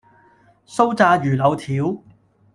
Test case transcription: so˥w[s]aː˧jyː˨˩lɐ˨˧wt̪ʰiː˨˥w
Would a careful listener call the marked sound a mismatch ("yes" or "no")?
yes